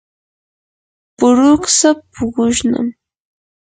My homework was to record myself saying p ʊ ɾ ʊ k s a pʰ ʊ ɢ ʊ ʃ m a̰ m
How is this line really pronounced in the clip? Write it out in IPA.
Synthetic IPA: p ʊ ɾ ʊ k s a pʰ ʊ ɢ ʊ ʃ n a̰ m

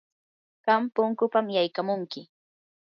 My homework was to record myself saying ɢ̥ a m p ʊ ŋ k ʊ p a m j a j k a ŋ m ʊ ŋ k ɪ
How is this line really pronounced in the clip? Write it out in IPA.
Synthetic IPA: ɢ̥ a m p ʊ ŋ k ʊ p a m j a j k a m ʊ ŋ k ɪ

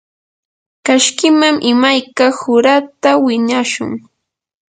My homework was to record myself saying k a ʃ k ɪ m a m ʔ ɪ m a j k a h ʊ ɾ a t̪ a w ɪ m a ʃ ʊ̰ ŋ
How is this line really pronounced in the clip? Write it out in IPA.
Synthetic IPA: k a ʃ k ɪ m a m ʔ ɪ m a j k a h ʊ ɾ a t̪ a w ɪ ɲ a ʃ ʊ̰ ŋ

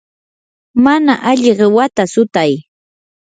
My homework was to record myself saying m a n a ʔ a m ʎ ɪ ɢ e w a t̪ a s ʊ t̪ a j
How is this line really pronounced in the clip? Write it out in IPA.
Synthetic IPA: m a n a ʔ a ʎ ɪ ɢ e w a t̪ a s ʊ t̪ a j

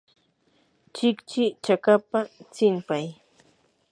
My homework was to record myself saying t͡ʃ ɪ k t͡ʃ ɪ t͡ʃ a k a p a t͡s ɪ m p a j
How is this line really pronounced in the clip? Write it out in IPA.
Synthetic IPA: t͡ʃ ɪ k t͡ʃ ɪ t͡ʃ a k a p a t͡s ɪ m p a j

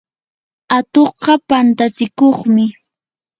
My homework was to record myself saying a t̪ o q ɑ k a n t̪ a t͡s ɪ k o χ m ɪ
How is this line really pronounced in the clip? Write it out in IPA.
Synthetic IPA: a t̪ o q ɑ p a n t̪ a t͡s ɪ k o χ m ɪ

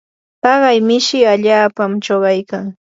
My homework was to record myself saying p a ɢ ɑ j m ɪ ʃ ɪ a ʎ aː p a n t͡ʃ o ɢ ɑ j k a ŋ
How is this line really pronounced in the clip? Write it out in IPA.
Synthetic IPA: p ɑ ɢ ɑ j m ɪ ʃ ɪ a ʎ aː p a m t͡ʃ o ɢ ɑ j k a ŋ

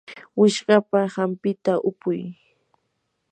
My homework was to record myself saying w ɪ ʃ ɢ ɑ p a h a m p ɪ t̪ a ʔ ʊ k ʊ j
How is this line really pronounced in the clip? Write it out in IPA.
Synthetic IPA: w ɪ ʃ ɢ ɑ p a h a m p ɪ t̪ a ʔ ʊ p ʊ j

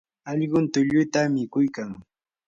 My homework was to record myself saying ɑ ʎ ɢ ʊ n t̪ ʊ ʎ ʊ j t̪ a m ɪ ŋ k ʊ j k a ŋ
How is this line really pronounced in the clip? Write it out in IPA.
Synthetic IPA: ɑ ʎ ɢ ʊ n t̪ ʊ ʎ ʊ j t̪ a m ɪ k ʊ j k a ŋ

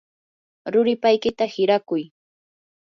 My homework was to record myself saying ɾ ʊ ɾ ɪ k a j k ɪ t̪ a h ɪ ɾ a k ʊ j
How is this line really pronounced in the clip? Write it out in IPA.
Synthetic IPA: ɾ ʊ ɾ ɪ p a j k ɪ t̪ a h ɪ ɾ a k ʊ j

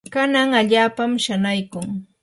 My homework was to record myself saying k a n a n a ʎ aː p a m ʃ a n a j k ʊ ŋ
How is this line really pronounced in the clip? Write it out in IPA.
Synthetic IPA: k a n a ŋ a ʎ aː p a m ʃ a n a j k ʊ ŋ

